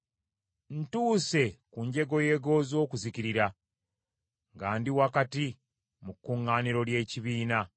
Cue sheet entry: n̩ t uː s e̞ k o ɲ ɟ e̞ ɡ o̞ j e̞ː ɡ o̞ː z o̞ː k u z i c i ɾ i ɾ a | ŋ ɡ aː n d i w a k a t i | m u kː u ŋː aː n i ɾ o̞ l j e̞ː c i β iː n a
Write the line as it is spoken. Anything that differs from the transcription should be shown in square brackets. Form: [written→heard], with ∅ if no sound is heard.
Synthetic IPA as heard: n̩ t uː s e̞ k [o→u] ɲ ɟ e̞ ɡ o̞ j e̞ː ɡ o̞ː z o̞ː k u z i c i ɾ i ɾ a | ŋ ɡ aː n d i w a k a t i | m u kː u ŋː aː n i ɾ o̞ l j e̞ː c i β iː n a